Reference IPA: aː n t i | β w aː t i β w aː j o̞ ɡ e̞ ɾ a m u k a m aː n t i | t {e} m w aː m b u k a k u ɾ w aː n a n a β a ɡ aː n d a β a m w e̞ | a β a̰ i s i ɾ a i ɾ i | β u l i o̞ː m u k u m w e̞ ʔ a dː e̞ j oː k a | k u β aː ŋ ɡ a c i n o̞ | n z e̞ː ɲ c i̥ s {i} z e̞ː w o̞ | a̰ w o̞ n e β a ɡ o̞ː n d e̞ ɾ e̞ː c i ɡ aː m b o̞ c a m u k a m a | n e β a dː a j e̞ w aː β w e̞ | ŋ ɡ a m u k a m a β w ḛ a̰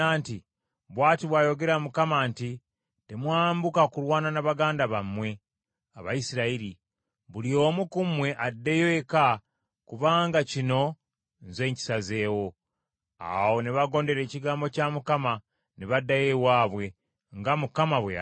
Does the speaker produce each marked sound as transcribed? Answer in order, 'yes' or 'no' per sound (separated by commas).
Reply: yes, no